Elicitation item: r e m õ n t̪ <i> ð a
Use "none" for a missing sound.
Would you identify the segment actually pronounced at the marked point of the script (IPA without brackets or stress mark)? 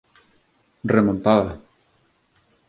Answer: a